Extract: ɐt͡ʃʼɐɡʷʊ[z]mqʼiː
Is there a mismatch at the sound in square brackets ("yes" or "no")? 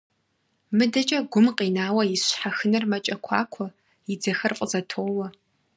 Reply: yes